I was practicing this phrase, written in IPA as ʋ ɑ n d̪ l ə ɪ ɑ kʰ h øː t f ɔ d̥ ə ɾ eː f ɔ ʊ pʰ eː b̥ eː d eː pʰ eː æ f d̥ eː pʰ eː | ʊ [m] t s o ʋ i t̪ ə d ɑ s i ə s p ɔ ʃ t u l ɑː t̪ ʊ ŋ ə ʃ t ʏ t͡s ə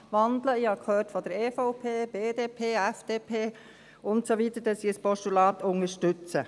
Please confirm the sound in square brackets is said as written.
no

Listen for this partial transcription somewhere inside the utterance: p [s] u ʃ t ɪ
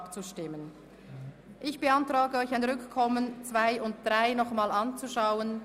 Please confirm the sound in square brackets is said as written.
no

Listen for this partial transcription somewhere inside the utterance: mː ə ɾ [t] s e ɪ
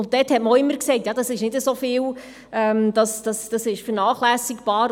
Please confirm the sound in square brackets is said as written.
no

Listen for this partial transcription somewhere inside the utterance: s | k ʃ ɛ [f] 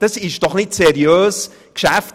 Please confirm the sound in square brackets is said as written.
yes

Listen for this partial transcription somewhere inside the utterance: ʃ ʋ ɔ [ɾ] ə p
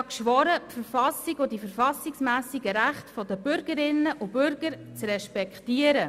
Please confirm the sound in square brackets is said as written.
yes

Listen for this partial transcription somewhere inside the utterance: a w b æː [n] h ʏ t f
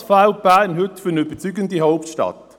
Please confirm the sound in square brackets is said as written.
yes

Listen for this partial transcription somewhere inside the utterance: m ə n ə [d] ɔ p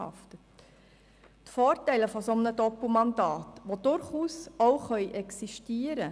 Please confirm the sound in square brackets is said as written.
yes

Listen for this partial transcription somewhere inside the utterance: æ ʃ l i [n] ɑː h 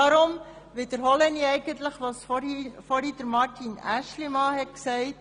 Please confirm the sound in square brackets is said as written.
no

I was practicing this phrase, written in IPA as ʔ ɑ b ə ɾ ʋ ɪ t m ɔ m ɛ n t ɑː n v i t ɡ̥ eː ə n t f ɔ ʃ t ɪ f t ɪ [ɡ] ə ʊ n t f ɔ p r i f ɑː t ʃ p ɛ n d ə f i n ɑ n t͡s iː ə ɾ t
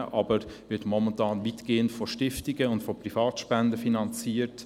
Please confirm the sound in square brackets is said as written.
yes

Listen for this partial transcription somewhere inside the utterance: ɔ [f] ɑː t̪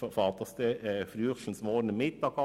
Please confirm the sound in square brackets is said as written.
yes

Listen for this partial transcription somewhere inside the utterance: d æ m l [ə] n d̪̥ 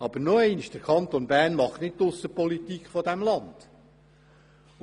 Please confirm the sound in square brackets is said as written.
no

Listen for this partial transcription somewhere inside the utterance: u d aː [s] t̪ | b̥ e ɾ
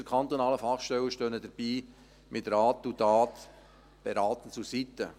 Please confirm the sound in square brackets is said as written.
no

